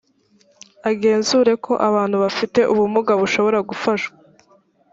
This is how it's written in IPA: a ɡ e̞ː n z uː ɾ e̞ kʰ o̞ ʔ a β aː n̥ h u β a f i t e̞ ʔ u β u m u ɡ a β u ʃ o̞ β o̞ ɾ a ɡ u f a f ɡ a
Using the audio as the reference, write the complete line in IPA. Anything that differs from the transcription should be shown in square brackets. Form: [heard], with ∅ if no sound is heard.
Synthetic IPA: a ɡ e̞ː n z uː ɾ e̞ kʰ o̞ ʔ a β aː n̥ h u β a f i t e̞ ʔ u β u m u ɡ a β u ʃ o̞ β o̞ ɾ a ɡ u f a [ʃ] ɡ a

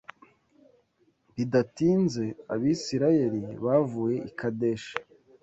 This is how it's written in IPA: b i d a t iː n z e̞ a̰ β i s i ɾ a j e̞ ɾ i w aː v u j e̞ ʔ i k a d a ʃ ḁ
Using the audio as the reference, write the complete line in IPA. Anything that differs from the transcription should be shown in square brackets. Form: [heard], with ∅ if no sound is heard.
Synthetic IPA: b i d a t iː n z e̞ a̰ β i s i ɾ a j e̞ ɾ i [β] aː v u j e̞ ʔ i k a d [e] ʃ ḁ

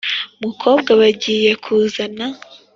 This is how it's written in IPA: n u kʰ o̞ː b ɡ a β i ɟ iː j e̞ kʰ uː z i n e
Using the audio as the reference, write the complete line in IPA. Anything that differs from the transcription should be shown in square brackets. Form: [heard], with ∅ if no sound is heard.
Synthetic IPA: [m] u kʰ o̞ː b ɡ a β [a] ɟ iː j e̞ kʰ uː z [a] n [a]

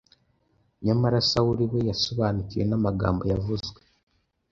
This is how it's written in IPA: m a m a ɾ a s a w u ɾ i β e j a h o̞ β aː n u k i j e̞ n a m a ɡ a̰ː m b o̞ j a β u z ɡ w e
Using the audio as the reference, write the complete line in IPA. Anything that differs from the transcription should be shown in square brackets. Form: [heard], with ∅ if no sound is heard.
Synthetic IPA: [ɲ] a m a ɾ a s a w u ɾ i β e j a [s] o̞ β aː n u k i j e̞ n a m a ɡ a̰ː m b o̞ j a [v] u z ɡ w e

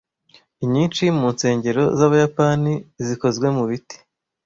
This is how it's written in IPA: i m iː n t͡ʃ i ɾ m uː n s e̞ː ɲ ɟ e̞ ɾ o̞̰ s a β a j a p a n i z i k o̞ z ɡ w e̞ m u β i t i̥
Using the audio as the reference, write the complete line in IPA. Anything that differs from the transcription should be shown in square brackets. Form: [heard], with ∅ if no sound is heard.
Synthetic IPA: i [ɲ] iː n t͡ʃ i [∅] m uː n s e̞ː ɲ ɟ e̞ ɾ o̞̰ [z] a β a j a p a n i z i k o̞ z ɡ w e̞ m u β i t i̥

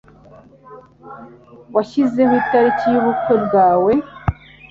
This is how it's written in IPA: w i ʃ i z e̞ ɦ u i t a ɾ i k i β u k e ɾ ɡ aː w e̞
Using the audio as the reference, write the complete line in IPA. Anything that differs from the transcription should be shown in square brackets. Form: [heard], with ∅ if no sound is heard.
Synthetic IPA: w [a] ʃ i z e̞ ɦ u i t a ɾ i [c] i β u k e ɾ ɡ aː w e̞

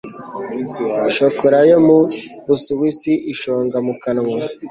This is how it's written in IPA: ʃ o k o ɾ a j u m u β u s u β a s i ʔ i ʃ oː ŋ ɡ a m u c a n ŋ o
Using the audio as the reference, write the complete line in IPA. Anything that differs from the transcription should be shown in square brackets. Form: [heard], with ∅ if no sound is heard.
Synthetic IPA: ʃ o k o ɾ a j [o] m u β u s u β [i] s i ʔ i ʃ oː ŋ ɡ a m u [k] a n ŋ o

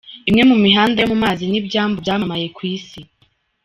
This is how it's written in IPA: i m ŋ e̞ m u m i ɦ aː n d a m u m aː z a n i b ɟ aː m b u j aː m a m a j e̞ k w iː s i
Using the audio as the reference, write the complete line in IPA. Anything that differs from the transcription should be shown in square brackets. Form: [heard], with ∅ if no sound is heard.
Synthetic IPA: i m ŋ e̞ m u m i ɦ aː n d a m u m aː z [i] n i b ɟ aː m b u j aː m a m a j e̞ k w iː s i

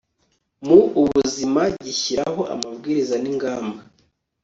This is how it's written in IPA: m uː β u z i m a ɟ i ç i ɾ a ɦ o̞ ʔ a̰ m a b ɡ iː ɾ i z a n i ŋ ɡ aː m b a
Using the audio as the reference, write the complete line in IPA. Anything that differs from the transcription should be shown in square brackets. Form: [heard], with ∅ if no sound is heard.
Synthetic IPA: m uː β u z i m a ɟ i ç i ɾ a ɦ o̞ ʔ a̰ m a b ɡ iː ɾ i z a n i ŋ ɡ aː m b a

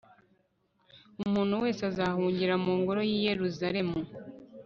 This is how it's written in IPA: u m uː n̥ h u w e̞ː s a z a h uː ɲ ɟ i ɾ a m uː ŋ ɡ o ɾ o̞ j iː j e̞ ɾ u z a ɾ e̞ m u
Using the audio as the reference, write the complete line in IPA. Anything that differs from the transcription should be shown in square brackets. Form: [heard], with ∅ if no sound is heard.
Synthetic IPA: u m uː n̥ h u w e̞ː s a z a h uː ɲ ɟ i ɾ a m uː ŋ ɡ o ɾ o̞ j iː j e̞ ɾ u z a ɾ e̞ m u

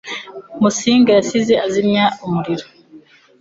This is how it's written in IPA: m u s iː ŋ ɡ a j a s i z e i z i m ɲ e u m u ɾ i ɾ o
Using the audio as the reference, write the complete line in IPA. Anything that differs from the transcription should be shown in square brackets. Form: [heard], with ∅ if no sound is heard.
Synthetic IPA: m u s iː ŋ ɡ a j a s i z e [a] z i m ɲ [a] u m u ɾ i ɾ o

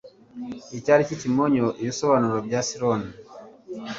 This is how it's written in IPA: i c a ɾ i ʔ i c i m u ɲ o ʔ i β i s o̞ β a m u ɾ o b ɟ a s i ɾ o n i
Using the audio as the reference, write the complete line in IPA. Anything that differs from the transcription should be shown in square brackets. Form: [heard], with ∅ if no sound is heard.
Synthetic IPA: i c a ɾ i [c] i c i m [o] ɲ o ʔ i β i s o̞ β a [n] u ɾ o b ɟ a s i ɾ o n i

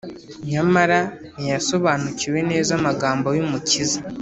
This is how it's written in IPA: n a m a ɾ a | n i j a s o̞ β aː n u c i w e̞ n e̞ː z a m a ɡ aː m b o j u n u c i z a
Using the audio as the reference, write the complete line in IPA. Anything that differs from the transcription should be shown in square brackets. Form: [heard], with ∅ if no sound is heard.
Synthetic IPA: [ɲ] a m a ɾ a | n i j a s o̞ β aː n u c i w e̞ n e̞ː z a m a ɡ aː m b o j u [m] u c i z a

